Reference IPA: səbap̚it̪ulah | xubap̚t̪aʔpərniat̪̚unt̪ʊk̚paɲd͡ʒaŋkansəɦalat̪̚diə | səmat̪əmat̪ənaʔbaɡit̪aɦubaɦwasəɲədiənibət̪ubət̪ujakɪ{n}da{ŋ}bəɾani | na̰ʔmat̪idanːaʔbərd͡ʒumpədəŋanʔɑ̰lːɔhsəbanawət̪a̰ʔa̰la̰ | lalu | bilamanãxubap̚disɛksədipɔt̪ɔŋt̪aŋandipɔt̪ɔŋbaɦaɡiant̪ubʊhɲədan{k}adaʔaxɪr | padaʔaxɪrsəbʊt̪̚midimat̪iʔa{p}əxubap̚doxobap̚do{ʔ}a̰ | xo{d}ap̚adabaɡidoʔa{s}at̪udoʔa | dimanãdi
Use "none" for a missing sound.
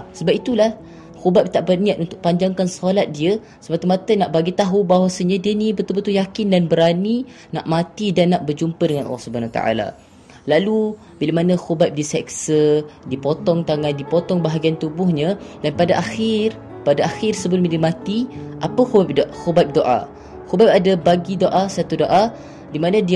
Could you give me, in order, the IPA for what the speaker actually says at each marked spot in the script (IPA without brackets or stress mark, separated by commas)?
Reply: n, n, p, p, ʔ, b, s